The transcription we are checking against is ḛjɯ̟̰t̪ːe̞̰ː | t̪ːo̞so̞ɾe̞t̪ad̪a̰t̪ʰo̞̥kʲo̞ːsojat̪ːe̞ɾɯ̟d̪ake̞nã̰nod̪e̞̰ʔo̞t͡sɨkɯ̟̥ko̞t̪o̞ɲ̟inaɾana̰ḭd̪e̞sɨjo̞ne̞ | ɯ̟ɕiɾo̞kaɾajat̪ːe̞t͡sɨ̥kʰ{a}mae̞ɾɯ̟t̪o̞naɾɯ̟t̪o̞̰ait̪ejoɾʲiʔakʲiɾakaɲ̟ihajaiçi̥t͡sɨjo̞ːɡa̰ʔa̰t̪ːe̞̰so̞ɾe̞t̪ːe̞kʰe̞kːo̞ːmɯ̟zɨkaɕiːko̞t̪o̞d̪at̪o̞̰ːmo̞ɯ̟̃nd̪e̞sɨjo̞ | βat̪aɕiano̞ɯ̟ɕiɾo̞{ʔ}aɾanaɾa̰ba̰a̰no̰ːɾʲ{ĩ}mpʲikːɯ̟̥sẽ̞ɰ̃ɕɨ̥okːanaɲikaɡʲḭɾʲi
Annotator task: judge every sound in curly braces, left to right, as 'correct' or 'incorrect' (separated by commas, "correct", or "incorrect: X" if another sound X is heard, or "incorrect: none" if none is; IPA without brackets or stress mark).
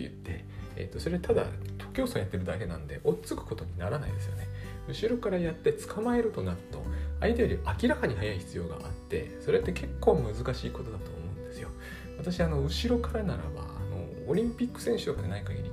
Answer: correct, incorrect: k, correct